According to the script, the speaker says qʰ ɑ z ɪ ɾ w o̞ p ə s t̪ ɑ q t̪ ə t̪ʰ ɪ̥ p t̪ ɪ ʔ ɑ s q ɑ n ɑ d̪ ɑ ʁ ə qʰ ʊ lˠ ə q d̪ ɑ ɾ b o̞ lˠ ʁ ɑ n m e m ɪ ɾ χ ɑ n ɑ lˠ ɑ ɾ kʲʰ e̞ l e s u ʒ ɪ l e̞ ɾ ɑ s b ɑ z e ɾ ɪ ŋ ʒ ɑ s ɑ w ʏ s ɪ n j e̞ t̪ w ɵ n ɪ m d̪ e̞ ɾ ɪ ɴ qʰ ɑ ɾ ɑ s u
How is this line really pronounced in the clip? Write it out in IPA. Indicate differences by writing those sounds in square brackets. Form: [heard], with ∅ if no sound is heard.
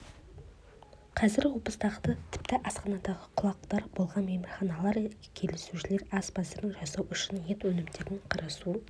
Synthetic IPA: qʰ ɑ z ɪ ɾ w o̞ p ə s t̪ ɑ q t̪ ə t̪ʰ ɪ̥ p t̪ ɪ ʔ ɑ s q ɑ n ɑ d̪ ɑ ʁ ə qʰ ʊ lˠ [ɑ] q [t̪] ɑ ɾ b o̞ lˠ ʁ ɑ n m e m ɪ ɾ χ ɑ n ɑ lˠ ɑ ɾ kʲʰ e̞ l e s u [ʃ] ɪ l e̞ ɾ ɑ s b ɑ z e ɾ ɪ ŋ ʒ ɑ s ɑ w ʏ [ʃ] ɪ n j e̞ t̪ w ɵ n ɪ m d̪ e̞ ɾ ɪ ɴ qʰ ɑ ɾ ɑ s u